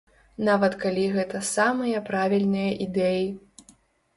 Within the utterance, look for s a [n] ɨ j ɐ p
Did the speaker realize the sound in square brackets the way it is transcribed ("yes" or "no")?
no